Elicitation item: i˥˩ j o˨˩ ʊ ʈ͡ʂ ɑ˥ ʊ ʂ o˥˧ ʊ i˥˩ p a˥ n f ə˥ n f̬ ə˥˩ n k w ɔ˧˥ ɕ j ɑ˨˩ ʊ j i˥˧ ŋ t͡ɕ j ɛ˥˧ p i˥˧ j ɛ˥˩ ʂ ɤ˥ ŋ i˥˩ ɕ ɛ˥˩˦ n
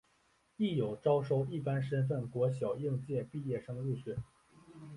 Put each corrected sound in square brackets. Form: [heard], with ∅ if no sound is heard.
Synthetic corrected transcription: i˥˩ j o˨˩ ʊ ʈ͡ʂ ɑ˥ ʊ ʂ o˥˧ ʊ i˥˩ p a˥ n [ʂ] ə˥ n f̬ ə˥˩ n k w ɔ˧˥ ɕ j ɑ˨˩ ʊ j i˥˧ ŋ t͡ɕ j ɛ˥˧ p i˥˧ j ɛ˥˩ ʂ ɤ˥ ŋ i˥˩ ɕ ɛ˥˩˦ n